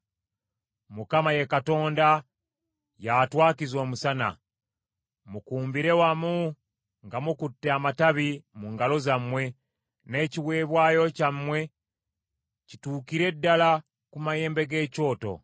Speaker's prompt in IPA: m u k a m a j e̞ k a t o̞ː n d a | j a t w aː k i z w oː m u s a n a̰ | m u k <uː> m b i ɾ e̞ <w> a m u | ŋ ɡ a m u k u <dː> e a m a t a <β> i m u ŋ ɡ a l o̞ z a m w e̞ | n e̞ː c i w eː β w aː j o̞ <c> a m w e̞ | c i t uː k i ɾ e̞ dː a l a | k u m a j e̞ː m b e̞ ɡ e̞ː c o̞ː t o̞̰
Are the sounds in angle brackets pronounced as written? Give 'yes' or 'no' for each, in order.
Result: yes, yes, no, yes, yes

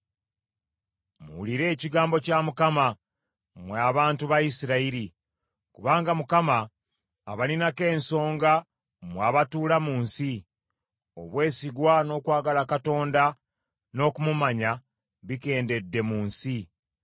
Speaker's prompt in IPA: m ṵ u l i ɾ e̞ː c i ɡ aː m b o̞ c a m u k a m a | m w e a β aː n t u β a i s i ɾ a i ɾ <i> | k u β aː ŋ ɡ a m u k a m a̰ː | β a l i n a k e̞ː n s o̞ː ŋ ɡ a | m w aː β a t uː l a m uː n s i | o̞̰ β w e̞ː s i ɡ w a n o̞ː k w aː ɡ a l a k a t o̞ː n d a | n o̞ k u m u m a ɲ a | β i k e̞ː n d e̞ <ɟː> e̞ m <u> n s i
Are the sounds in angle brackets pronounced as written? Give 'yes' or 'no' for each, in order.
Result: yes, no, no

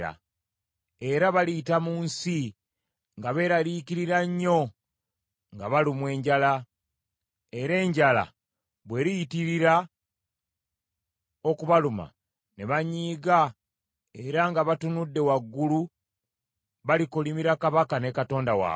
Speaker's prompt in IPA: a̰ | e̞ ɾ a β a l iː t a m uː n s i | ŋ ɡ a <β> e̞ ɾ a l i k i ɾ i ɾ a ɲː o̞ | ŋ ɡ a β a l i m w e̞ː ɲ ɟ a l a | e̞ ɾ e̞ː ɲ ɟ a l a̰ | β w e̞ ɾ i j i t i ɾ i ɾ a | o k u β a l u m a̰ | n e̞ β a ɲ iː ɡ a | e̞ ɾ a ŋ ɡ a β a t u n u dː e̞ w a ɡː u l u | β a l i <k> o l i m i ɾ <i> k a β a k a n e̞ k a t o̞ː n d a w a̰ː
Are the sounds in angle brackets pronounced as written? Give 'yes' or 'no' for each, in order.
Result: yes, yes, no

